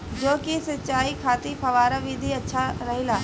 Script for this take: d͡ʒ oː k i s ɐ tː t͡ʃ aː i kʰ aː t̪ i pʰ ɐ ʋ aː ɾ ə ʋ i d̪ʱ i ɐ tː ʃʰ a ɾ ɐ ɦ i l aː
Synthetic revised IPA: d͡ʒ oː k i s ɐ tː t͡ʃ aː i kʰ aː t̪ i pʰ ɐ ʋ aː ɾ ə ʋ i d̪ʱ i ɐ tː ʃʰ a ɾ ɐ ɦ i l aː